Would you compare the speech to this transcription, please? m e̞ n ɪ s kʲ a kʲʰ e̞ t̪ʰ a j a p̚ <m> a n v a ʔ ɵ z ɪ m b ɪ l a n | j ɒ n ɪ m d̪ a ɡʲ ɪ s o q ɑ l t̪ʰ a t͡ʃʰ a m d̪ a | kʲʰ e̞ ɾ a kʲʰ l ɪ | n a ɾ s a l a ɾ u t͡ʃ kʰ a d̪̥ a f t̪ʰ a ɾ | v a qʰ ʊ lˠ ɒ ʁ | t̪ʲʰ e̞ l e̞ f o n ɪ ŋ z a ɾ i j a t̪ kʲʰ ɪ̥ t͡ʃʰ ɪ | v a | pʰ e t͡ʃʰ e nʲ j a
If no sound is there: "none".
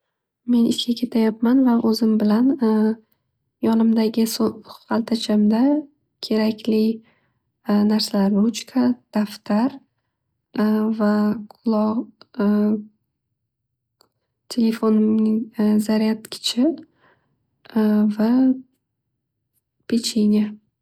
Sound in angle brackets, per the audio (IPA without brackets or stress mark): m